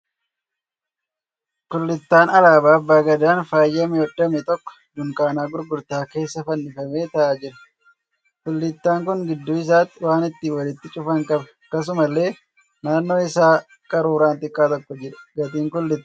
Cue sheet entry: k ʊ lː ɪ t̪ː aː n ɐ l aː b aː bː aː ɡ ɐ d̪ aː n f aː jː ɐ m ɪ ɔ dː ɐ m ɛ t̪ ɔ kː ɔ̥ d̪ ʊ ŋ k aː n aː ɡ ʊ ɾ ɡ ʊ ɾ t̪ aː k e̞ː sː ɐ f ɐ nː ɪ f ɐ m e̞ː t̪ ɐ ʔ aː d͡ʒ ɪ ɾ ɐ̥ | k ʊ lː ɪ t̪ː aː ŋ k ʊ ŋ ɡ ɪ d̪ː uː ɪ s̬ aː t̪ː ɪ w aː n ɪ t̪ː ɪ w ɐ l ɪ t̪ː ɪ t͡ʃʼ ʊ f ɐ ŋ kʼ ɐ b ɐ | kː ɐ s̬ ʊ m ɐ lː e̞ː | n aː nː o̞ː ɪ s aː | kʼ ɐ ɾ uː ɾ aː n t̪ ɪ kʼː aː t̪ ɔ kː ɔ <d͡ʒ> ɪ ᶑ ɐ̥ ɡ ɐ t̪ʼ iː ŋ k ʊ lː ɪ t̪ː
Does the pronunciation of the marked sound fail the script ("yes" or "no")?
no